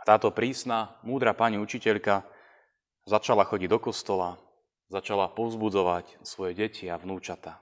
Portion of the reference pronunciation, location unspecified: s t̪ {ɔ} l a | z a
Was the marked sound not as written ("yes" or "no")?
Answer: no